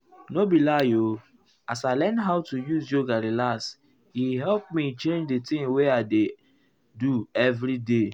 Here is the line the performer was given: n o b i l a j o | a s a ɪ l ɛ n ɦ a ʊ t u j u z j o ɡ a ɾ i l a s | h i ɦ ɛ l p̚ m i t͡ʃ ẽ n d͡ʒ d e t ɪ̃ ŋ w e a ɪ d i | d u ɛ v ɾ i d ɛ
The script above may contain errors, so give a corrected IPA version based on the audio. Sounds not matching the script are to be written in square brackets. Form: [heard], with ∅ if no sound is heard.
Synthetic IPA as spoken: n o b i l a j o | a s a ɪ l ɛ n ɦ a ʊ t u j u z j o ɡ a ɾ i l a s | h i ɦ ɛ l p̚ m i t͡ʃ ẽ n d͡ʒ d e t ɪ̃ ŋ w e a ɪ d [e] | d u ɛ v ɾ i d [e]